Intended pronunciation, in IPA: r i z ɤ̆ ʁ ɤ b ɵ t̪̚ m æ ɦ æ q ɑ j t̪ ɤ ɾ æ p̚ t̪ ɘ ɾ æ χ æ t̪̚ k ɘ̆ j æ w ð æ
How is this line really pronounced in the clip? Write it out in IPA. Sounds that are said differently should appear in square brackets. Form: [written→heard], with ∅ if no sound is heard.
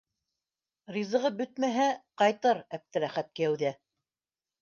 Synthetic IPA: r i z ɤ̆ ʁ ɤ b ɵ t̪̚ m æ ɦ æ q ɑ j t̪ ɤ ɾ æ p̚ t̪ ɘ ɾ æ χ æ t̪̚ k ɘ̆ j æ w ð æ

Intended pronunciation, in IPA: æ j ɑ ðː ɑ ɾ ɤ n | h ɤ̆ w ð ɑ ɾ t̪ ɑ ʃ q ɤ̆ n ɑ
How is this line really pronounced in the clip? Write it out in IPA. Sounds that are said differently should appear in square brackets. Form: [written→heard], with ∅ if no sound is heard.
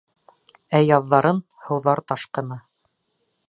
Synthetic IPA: æ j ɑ ðː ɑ ɾ ɤ n | h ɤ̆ w ð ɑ ɾ t̪ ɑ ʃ q ɤ̆ n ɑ

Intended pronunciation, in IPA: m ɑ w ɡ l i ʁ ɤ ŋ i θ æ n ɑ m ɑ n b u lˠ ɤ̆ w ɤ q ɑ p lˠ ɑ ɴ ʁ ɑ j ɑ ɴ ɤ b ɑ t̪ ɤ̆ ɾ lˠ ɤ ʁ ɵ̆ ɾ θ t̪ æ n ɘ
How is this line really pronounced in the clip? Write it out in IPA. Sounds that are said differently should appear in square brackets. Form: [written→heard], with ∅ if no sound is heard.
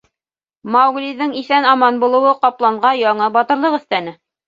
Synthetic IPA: m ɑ w ɡ l i [ʁ→ð] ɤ ŋ i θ æ n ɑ m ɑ n b u lˠ ɤ̆ w ɤ q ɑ p lˠ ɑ ɴ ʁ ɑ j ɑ ɴ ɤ b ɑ t̪ ɤ̆ ɾ lˠ ɤ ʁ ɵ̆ [ɾ→∅] θ t̪ æ n ɘ

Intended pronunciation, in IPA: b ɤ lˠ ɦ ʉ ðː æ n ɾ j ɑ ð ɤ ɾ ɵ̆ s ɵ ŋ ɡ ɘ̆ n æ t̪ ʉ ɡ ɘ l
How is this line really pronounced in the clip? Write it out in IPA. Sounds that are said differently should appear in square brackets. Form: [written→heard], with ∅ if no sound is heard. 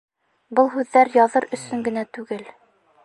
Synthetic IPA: b ɤ lˠ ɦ ʉ ðː æ [n→∅] ɾ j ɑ ð ɤ ɾ ɵ̆ s ɵ ŋ ɡ ɘ̆ n æ t̪ ʉ ɡ ɘ l

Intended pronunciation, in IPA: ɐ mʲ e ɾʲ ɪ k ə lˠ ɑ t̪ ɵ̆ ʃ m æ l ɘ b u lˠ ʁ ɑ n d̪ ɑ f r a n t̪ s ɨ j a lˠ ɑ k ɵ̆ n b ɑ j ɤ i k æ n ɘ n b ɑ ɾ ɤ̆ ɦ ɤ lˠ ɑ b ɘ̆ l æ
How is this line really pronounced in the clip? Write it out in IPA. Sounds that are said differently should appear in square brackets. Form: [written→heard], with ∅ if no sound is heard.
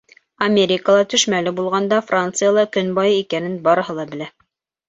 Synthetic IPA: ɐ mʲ e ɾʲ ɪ k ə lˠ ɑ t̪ ɵ̆ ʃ m æ l ɘ b u lˠ ʁ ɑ n d̪ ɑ f r a n t̪ s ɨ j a lˠ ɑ k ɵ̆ n b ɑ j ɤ i k æ n ɘ n b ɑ ɾ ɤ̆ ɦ ɤ lˠ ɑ b ɘ̆ l æ

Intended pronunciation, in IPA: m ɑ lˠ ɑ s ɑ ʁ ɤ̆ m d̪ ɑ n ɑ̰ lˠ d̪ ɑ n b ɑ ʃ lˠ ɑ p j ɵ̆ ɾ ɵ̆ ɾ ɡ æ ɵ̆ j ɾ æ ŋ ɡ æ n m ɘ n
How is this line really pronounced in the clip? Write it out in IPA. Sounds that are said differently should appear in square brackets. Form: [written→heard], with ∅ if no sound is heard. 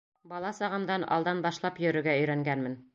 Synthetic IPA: [m→b] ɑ lˠ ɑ s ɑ ʁ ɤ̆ m d̪ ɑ n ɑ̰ lˠ d̪ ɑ n b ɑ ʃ lˠ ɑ p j ɵ̆ ɾ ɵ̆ ɾ ɡ æ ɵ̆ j ɾ æ ŋ ɡ æ n m ɘ n

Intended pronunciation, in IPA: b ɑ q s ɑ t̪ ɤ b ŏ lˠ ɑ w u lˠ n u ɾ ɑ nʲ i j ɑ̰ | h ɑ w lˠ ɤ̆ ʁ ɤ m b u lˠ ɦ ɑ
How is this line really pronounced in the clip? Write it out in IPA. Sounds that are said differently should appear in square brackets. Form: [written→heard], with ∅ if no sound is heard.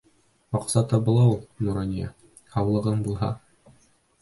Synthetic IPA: [b→m] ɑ q s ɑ t̪ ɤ b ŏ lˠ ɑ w u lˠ n u ɾ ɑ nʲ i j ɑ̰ | h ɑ w lˠ ɤ̆ ʁ ɤ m b u lˠ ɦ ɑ

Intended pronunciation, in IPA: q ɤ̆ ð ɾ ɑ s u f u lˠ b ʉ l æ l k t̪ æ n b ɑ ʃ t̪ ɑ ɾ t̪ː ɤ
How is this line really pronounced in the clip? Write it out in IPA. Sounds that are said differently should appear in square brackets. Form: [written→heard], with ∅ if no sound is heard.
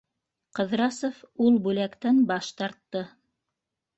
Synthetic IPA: q ɤ̆ ð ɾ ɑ s [u→o] f u lˠ b ʉ l æ [l→∅] k t̪ æ n b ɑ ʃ t̪ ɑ ɾ t̪ː ɤ

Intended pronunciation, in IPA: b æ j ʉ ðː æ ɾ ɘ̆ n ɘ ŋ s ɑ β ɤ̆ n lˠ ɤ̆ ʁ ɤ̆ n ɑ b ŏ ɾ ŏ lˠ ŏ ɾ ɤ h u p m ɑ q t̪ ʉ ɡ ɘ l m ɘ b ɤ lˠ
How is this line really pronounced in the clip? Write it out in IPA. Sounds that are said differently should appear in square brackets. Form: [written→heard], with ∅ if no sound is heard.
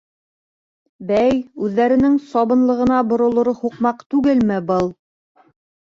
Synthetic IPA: b æ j ʉ ðː æ ɾ ɘ̆ n ɘ ŋ s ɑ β ɤ̆ n lˠ ɤ̆ ʁ ɤ̆ n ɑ b ŏ ɾ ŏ lˠ ŏ ɾ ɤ h u [p→q] m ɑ q t̪ ʉ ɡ ɘ l m ɘ b ɤ lˠ

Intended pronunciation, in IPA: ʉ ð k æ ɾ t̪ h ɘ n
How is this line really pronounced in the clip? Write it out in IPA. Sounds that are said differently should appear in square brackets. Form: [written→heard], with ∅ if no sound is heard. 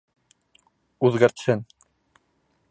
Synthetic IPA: ʉ ð [k→ɡ] æ ɾ t̪ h ɘ n

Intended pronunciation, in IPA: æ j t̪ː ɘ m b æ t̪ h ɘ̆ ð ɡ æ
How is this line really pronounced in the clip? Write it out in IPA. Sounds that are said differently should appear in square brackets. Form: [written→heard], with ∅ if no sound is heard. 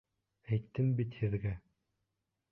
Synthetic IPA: æ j t̪ː ɘ m b [æ→i] t̪ h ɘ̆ ð ɡ æ

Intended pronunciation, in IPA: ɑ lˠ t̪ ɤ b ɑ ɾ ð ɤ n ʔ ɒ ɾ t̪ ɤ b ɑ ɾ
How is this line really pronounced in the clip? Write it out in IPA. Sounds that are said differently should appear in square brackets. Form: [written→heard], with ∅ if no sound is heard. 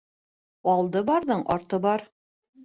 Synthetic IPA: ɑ lˠ [t̪→d̪] ɤ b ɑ ɾ ð ɤ [n→ɴ] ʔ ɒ ɾ t̪ ɤ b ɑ ɾ

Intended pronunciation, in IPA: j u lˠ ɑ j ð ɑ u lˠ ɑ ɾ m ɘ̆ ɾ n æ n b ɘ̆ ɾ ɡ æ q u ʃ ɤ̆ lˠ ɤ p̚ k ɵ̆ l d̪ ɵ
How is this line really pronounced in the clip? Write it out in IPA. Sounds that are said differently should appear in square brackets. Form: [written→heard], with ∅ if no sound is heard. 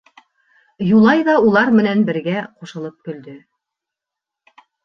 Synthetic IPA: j u lˠ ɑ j ð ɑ u lˠ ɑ ɾ m ɘ̆ [ɾ→∅] n æ n b ɘ̆ ɾ ɡ æ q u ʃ ɤ̆ lˠ ɤ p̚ k ɵ̆ l d̪ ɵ

